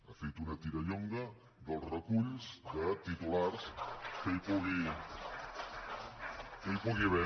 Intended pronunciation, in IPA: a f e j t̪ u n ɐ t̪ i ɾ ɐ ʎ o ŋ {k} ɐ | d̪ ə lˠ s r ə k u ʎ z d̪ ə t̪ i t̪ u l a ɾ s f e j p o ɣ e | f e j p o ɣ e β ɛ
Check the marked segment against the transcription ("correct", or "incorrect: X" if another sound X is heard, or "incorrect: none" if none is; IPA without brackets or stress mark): incorrect: ɡ